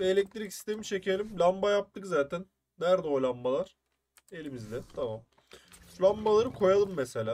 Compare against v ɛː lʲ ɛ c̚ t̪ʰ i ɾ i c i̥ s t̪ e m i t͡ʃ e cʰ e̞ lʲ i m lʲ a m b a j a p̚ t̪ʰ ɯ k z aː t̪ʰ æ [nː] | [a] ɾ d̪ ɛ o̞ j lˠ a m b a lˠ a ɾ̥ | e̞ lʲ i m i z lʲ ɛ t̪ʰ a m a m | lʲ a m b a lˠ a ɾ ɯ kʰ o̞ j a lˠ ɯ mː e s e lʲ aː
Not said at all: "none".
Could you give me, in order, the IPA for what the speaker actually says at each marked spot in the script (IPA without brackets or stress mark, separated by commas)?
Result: nː, æ